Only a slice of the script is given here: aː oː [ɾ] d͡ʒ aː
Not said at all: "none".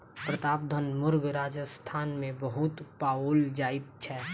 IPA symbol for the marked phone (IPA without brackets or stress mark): l